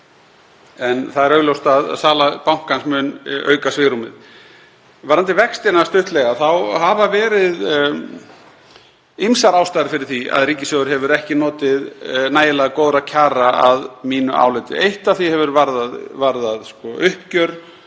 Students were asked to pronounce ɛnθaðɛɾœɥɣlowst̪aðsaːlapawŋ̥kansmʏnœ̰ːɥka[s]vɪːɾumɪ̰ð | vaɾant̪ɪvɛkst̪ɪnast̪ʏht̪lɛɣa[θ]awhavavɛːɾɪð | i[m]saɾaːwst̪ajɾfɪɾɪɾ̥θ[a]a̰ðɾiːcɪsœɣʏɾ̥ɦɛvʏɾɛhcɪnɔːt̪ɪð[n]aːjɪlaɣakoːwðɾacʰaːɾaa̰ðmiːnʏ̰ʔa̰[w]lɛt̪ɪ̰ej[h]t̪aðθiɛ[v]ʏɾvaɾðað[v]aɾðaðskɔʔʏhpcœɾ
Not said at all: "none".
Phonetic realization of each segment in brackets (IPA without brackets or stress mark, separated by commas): s, θ, m, i, n, w, h, v, v